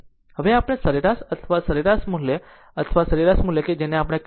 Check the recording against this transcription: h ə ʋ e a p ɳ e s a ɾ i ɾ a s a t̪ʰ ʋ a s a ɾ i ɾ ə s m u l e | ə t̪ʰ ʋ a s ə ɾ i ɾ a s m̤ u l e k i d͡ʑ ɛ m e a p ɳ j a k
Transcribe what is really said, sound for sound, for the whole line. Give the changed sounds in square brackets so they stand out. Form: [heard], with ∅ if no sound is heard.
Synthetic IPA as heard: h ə ʋ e a p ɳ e s [ə] ɾ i ɾ a s [ə] t̪ʰ ʋ a s [ə] ɾ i ɾ [a] s m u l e | ə t̪ʰ ʋ a s ə ɾ i ɾ a s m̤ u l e k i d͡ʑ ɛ [n] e a p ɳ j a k